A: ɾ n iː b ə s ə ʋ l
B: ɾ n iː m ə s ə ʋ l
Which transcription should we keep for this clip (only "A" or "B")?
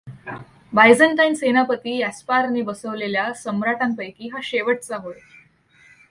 A